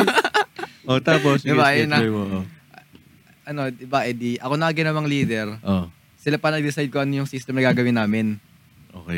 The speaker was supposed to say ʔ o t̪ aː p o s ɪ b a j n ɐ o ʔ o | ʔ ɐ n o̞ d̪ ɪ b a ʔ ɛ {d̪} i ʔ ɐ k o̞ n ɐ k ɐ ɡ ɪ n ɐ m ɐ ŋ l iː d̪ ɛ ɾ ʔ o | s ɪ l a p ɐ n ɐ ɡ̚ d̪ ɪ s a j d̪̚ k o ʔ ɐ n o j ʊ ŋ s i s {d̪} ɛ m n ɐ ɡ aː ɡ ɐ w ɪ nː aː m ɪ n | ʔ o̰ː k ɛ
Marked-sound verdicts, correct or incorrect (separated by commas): correct, incorrect